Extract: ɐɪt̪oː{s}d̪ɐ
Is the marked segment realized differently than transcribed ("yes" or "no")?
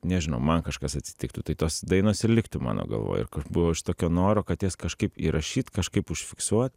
no